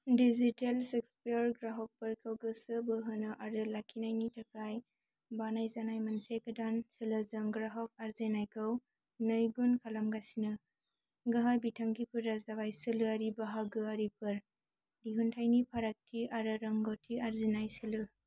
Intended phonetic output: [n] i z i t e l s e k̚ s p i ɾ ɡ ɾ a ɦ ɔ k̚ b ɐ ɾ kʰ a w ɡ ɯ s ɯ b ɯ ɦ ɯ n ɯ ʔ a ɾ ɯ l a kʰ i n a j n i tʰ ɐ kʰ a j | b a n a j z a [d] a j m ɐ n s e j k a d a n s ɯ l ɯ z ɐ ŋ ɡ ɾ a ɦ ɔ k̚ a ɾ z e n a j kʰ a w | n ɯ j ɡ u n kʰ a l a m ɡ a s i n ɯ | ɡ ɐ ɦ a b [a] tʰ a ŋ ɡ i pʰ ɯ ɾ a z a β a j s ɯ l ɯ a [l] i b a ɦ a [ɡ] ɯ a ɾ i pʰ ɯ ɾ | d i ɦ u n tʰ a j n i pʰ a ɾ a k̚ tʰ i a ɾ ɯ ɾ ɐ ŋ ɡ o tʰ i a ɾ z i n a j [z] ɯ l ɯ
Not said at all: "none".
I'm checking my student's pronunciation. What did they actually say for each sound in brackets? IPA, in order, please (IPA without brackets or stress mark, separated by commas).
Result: d, n, i, ɾ, ɡ, s